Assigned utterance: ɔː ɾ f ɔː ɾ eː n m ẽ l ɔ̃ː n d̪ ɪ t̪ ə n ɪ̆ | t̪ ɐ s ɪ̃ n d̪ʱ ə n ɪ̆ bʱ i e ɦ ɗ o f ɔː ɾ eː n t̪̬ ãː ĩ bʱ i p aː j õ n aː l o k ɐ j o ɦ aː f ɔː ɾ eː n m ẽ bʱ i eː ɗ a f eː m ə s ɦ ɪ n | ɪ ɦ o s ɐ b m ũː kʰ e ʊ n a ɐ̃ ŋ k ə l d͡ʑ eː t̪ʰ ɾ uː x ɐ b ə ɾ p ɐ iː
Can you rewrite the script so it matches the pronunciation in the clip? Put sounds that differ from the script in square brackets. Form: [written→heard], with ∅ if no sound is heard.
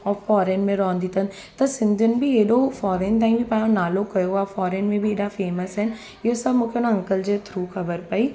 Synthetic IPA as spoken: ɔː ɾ f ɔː ɾ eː n m ẽ [l→ɾ] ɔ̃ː n d̪ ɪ t̪ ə n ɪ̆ | t̪ ɐ s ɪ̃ n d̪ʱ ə n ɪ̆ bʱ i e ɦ ɗ o f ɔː ɾ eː n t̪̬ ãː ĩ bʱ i p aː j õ n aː l o k ɐ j o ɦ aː f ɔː ɾ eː n m ẽ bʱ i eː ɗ a f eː m ə s ɦ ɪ n | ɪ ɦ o s ɐ b m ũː kʰ e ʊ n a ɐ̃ ŋ k ə l d͡ʑ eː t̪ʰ ɾ uː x ɐ b ə ɾ p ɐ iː